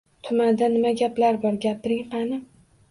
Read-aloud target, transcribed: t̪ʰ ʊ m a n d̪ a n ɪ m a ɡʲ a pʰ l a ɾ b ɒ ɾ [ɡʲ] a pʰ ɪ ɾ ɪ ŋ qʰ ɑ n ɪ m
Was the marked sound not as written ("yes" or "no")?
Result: no